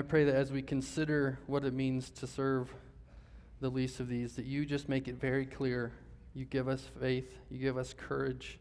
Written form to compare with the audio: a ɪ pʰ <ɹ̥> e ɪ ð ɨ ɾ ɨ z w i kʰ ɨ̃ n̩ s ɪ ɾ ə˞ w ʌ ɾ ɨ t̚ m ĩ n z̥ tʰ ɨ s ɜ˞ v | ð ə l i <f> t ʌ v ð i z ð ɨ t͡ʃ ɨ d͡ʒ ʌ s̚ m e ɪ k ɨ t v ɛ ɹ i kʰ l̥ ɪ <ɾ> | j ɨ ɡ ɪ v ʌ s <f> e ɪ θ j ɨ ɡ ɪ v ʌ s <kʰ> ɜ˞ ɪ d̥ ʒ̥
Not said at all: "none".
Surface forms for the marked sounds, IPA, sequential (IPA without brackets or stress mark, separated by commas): ɹ̥, s, ɹ, f, kʰ